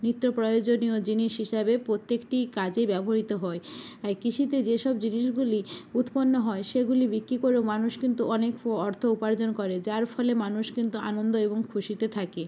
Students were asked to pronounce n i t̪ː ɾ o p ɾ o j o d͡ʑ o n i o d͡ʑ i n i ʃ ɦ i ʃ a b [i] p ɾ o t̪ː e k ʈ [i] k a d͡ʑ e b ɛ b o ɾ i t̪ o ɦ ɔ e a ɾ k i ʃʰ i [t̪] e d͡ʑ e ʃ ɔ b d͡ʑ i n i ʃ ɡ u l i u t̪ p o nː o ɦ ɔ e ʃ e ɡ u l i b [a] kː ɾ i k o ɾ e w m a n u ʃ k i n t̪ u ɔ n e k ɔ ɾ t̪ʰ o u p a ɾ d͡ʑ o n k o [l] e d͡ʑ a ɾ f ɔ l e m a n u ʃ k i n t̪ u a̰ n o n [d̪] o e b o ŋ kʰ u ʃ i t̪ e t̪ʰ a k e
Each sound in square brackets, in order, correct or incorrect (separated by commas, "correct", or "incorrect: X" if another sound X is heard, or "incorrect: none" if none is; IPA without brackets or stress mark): incorrect: e, correct, correct, incorrect: i, incorrect: ɾ, correct